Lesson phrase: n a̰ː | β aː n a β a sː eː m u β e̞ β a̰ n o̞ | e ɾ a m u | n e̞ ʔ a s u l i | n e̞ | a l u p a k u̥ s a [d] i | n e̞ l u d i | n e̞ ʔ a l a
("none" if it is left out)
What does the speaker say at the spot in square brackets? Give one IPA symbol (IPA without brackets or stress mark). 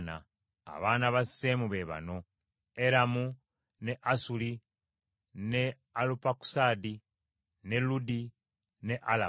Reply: d